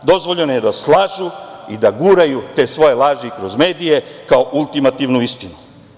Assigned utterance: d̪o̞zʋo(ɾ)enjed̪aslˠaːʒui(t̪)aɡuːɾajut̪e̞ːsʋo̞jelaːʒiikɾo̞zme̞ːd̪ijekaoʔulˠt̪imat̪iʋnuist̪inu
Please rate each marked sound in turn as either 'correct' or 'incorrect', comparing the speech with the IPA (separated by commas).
incorrect, incorrect